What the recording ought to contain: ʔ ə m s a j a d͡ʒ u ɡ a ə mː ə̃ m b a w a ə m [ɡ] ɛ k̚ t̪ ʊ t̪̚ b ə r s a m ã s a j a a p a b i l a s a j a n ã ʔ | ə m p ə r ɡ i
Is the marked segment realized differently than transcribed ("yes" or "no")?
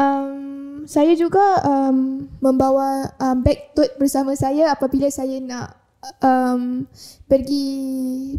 yes